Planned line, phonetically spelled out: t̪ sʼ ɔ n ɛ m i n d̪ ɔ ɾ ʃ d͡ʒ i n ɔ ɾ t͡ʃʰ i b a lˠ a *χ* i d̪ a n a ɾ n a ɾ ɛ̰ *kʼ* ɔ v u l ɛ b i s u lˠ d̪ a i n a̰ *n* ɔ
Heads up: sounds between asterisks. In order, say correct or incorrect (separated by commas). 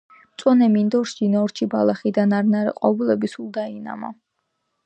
correct, incorrect, incorrect